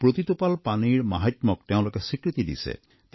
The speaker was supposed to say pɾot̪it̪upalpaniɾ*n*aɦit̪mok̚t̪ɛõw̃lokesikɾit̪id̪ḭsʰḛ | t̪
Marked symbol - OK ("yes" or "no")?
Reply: no